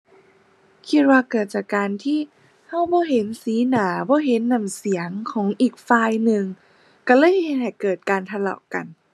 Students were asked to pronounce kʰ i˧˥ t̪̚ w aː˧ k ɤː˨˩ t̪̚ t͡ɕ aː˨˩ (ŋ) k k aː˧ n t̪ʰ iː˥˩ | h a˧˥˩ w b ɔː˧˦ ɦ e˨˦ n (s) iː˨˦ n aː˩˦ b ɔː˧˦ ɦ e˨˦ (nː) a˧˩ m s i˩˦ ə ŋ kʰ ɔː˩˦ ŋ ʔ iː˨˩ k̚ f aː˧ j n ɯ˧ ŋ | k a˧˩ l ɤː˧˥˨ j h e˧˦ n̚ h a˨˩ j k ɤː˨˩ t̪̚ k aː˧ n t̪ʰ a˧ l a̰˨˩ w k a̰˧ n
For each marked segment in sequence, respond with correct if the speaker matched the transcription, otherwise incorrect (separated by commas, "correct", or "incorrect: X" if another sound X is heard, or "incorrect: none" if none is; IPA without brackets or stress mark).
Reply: incorrect: none, correct, correct